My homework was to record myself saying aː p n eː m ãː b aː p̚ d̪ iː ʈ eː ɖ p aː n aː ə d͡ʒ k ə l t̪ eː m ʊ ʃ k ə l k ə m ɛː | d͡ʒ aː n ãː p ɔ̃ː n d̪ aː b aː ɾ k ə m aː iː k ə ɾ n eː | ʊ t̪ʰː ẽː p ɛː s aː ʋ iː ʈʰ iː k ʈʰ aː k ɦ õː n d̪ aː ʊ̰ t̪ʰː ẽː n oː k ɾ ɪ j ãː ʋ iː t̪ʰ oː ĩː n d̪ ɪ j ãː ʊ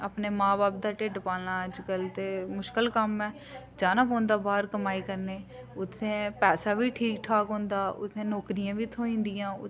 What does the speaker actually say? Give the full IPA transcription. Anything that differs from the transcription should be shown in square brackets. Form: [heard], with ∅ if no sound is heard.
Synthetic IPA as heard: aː p n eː m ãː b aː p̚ d̪ [aː] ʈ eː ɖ p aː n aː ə d͡ʒ k ə l t̪ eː m ʊ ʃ k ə l k ə m ɛː | d͡ʒ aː n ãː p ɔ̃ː n d̪ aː b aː ɾ k ə m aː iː k ə ɾ n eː | ʊ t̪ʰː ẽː p ɛː s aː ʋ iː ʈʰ iː k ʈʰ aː k ɦ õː n d̪ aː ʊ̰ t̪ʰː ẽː n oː k ɾ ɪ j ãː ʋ iː t̪ʰ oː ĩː n d̪ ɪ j ãː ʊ

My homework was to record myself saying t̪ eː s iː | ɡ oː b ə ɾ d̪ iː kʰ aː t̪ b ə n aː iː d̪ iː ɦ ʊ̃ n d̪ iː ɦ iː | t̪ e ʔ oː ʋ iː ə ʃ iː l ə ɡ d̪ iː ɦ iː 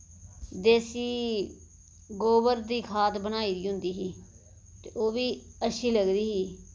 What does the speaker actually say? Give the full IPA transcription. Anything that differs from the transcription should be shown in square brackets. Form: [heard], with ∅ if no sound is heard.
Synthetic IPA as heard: [d̪] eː s iː | ɡ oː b ə ɾ d̪ iː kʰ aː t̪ b ə n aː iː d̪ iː ɦ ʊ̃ n d̪ iː ɦ iː | t̪ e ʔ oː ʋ iː ə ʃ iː l ə ɡ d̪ iː ɦ iː

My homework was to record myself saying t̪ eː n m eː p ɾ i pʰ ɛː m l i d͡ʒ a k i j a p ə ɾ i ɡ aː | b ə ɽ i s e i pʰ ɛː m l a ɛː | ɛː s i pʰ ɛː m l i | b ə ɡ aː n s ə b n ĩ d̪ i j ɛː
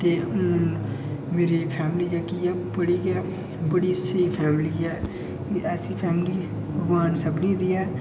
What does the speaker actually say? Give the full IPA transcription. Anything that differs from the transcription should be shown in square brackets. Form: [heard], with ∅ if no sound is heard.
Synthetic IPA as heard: t̪ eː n m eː [∅] ɾ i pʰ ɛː m l i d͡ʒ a k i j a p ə [ɽ] i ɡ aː | b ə ɽ i s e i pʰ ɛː m l [i] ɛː | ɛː s i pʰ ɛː m l i | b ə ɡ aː n s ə b n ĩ d̪ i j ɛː

